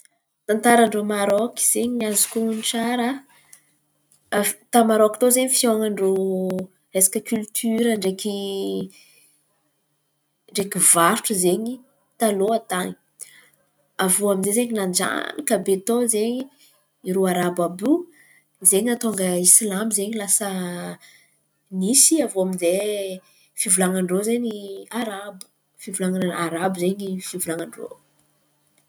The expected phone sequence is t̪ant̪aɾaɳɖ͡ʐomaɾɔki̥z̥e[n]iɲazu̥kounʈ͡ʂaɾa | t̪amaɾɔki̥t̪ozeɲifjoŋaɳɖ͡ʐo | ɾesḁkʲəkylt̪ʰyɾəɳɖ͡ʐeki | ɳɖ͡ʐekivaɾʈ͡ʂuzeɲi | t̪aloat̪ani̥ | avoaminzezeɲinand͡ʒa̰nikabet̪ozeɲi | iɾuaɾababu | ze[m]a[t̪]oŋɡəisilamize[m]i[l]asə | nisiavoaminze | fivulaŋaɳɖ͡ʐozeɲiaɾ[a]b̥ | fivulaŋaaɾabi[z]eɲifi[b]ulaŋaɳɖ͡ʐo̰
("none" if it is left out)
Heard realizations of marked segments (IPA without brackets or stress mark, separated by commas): ɲ, ɲ, t̪, ɲ, l, a, z, v